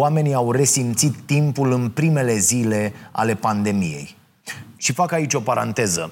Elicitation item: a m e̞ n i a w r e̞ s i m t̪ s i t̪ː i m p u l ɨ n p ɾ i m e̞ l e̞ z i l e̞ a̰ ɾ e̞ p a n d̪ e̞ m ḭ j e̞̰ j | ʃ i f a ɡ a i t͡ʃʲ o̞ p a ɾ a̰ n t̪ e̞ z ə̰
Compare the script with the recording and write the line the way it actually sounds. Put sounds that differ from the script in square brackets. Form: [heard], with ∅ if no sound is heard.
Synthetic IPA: a m e̞ n i a w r e̞ s i m t̪ s i t̪ː i m p u l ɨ n p ɾ i m e̞ l e̞ z i l e̞ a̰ [l] e̞ p a n d̪ e̞ m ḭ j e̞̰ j | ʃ i f a [k] a i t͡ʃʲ o̞ p a ɾ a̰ n t̪ e̞ z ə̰